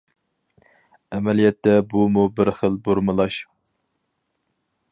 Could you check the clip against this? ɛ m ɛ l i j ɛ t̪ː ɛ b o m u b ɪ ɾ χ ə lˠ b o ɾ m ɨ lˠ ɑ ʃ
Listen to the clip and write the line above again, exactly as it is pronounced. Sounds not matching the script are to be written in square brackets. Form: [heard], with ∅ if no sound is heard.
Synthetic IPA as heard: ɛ m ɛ l i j ɛ t̪ː ɛ b [u] m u b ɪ ɾ χ ə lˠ b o ɾ m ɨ lˠ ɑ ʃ

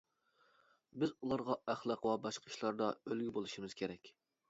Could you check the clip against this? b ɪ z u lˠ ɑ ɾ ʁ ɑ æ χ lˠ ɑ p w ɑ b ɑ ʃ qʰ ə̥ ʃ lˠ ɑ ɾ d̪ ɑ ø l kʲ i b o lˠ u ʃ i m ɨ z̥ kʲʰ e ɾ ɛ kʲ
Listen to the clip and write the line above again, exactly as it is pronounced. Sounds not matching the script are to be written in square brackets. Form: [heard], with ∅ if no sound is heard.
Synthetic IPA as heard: b ɪ z u lˠ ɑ ɾ ʁ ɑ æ χ lˠ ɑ [q] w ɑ b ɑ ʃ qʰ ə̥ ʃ lˠ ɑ ɾ d̪ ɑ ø l [ɡʲ] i b o lˠ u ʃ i m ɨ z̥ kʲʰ e ɾ ɛ kʲ

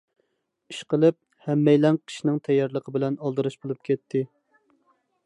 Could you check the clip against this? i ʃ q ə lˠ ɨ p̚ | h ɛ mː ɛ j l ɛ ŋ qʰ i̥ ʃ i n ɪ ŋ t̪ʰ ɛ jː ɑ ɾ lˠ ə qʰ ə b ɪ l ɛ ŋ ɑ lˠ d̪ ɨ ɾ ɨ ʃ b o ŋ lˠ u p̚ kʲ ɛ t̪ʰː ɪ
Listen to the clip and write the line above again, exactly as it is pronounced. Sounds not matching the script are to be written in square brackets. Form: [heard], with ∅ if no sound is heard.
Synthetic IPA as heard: i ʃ q ə lˠ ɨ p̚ | h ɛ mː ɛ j l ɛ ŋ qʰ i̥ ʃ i n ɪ ŋ t̪ʰ ɛ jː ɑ ɾ lˠ ə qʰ ə b ɪ l ɛ [n] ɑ lˠ d̪ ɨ ɾ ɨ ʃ b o [∅] lˠ u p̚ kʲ ɛ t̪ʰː ɪ

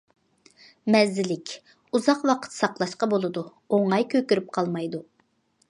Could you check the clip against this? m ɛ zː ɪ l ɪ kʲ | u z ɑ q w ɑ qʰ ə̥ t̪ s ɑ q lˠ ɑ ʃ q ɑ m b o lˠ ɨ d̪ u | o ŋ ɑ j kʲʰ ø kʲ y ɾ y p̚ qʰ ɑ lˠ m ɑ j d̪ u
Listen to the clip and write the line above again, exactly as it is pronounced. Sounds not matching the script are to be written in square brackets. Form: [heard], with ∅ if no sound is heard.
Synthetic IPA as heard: m ɛ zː ɪ l ɪ kʲ | u z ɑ q w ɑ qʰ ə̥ t̪ s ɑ q lˠ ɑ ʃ q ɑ [∅] b o lˠ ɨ d̪ u | o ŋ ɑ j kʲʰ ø kʲ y ɾ y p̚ qʰ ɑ lˠ m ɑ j d̪ u

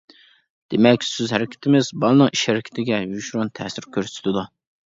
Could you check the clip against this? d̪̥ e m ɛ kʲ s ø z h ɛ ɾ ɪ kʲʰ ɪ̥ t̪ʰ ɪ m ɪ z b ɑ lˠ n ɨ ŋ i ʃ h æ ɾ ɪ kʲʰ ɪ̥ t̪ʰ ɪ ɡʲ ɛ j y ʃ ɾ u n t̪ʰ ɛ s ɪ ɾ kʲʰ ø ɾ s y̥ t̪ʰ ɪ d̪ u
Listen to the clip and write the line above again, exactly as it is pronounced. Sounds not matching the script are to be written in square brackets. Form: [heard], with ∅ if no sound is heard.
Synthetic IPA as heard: d̪̥ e m ɛ kʲ s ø z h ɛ ɾ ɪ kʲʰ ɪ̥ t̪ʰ ɪ m ɪ z b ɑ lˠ n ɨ ŋ i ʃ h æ ɾ ɪ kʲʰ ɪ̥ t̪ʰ ɪ ɡʲ ɛ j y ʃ ɾ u n t̪ʰ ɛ s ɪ ɾ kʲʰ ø ɾ s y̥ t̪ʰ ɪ d̪ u

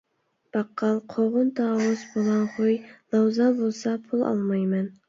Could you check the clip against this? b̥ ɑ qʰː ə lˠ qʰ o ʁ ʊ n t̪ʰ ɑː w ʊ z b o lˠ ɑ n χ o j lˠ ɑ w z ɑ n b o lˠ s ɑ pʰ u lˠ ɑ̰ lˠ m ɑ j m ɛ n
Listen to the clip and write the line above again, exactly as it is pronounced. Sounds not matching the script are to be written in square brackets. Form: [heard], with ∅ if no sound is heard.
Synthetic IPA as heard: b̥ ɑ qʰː [ɑ] lˠ qʰ o ʁ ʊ n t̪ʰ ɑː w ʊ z b o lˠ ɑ n χ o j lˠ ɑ w z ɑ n b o lˠ s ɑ pʰ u lˠ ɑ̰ lˠ m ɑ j m ɛ n

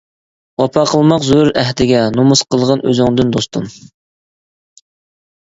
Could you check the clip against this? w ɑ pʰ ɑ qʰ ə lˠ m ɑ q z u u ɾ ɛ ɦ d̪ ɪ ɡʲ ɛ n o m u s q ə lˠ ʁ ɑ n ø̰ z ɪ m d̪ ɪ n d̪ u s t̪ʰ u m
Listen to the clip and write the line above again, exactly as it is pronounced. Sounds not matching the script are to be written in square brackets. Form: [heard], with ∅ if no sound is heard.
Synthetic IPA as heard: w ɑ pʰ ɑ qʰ ə lˠ m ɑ q z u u ɾ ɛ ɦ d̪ ɪ ɡʲ ɛ n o m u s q ə lˠ ʁ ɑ n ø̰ z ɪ [ŋ] d̪ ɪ n d̪ [o] s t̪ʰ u m

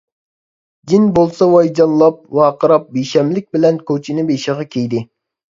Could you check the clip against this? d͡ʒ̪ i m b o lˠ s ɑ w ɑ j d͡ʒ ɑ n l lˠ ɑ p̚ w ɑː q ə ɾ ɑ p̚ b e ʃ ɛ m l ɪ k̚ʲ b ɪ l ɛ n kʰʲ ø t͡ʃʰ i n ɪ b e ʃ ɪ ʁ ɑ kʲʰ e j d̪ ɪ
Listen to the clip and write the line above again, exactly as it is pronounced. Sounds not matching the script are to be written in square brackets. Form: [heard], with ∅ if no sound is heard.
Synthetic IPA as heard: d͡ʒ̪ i [n] b o lˠ s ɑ w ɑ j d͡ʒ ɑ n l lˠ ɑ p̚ w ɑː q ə ɾ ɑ p̚ b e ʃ ɛ m l ɪ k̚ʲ b ɪ l ɛ n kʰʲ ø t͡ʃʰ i n ɪ b e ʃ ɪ ʁ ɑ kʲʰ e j d̪ ɪ

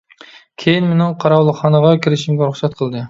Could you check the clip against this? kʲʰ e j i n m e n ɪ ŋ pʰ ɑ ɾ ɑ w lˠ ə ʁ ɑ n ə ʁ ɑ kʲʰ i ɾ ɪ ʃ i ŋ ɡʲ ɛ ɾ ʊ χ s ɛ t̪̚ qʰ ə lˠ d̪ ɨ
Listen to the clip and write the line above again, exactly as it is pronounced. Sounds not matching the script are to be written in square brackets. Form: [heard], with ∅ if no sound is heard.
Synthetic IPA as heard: kʲʰ e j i n m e n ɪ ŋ [qʰ] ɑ ɾ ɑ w lˠ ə [χ] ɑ n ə ʁ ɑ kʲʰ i ɾ ɪ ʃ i [m] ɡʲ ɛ ɾ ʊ χ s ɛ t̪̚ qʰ ə lˠ d̪ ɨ

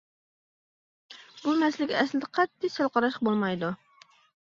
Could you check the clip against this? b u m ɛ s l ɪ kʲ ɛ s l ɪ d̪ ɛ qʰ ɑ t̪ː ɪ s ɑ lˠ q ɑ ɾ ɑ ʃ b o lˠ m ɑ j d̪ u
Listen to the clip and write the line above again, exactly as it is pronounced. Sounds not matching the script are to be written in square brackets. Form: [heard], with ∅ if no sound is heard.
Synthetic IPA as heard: b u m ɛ s l ɪ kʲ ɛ s l ɪ d̪ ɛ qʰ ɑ t̪ː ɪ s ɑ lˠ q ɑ ɾ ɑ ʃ b o lˠ m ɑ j d̪ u

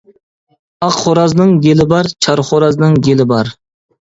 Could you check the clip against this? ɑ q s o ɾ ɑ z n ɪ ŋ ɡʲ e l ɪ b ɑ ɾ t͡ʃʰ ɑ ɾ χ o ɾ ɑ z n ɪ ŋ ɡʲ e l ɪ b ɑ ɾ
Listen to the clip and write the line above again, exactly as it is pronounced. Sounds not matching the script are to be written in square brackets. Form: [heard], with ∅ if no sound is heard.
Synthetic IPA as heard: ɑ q [χ] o ɾ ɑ z n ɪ ŋ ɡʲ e l ɪ b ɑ ɾ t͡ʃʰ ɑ ɾ χ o ɾ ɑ z n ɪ ŋ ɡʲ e l ɪ b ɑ ɾ

